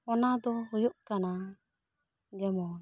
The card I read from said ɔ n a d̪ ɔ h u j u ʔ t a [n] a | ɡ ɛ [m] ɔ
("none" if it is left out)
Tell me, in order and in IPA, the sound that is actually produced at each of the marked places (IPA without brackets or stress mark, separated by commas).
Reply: n, m